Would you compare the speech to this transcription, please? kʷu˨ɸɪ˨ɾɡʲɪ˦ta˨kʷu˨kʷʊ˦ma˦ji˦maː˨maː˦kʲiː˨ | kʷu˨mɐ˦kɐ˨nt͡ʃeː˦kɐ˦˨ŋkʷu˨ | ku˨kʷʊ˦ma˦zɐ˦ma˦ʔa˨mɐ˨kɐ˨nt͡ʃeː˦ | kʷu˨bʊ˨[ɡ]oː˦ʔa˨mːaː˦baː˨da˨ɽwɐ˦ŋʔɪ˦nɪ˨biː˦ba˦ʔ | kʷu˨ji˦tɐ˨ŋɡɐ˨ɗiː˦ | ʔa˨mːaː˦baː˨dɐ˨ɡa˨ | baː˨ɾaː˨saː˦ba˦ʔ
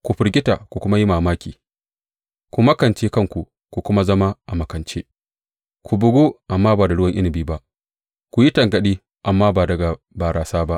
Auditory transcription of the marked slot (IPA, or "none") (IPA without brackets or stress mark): ɡ